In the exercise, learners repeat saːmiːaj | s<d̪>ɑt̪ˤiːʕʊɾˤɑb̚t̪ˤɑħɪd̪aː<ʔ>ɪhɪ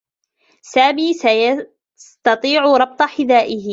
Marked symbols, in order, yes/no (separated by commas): no, yes